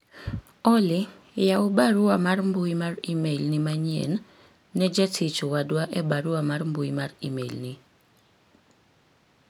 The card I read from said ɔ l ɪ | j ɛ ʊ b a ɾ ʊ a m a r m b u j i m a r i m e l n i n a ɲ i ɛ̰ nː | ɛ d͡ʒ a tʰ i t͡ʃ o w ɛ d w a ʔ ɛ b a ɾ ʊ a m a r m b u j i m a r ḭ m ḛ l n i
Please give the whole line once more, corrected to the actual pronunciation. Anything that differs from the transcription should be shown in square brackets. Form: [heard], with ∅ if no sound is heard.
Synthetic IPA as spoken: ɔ l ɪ | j [a] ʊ b a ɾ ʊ a m a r m b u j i m a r i m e l n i [m] a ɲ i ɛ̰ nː | ɛ d͡ʒ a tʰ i t͡ʃ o w [a] d w a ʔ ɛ b a ɾ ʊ a m a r m b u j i m a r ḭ m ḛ l n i